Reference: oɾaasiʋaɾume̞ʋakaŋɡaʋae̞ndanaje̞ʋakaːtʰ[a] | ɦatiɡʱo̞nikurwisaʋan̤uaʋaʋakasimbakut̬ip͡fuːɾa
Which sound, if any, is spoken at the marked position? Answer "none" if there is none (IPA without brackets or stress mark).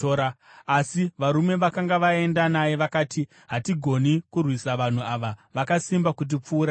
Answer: i